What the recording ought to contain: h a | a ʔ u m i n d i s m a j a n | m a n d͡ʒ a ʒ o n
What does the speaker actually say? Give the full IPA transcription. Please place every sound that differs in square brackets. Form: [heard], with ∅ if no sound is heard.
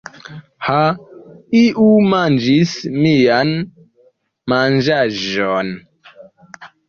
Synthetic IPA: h a | [i] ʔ u m [a] n [d͡ʒ] i s m [i] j a n | m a n d͡ʒ a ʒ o n